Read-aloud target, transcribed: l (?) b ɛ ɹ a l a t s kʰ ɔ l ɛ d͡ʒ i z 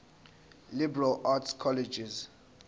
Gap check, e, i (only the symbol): i